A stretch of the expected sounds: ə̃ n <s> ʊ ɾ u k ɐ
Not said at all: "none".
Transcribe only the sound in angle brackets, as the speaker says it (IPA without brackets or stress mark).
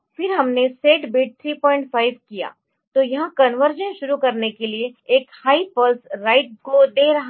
ʃ